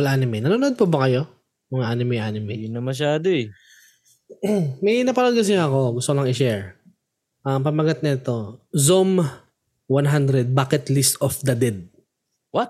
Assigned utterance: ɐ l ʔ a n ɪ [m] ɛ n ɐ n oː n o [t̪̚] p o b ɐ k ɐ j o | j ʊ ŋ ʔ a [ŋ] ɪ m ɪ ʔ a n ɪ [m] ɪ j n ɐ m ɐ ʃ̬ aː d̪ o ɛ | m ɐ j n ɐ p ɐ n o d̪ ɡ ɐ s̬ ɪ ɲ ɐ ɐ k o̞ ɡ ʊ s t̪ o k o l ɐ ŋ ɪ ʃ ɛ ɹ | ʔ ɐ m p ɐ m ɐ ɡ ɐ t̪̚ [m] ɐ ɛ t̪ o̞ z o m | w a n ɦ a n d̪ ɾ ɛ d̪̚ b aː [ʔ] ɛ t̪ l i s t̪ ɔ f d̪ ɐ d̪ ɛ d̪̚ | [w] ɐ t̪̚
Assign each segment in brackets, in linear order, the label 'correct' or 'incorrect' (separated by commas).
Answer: correct, incorrect, incorrect, correct, incorrect, incorrect, correct